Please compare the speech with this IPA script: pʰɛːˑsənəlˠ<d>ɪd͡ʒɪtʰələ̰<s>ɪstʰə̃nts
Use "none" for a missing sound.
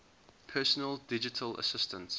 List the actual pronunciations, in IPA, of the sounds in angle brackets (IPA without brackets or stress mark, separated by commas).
d, s